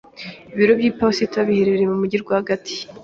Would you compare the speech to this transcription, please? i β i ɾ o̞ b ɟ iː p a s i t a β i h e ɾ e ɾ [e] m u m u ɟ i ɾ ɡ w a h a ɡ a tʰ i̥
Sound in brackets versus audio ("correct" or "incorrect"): correct